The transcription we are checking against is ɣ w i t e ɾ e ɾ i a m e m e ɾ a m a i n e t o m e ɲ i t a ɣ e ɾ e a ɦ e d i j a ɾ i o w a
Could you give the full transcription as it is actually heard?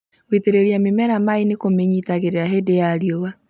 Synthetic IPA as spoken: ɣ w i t e ɾ e ɾ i a m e m ɛ ɾ a m a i n e k o m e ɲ i t a ɣ e ɾ e a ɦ e d e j a ɾ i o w a